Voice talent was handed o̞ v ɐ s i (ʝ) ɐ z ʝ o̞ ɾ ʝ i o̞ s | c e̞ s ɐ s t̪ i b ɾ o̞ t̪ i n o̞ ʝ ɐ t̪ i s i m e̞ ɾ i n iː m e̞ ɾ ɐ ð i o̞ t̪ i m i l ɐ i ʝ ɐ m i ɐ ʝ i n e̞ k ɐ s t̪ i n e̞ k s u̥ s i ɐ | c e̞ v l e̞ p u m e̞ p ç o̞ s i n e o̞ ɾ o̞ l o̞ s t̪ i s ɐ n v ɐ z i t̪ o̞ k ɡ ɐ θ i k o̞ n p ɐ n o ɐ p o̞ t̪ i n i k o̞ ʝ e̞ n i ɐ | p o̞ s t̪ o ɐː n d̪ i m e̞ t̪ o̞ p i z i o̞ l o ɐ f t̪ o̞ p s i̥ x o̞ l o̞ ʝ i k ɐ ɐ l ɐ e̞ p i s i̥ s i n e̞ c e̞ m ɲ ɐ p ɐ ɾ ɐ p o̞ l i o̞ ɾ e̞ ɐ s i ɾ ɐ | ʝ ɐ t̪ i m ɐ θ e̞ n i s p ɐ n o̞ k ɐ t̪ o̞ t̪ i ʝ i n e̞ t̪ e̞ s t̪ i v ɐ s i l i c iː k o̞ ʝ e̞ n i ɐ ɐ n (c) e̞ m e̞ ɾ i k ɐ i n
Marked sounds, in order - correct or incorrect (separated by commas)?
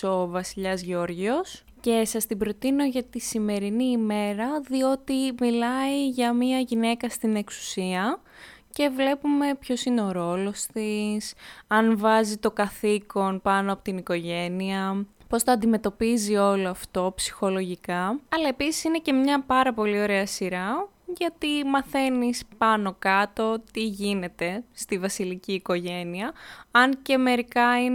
incorrect, correct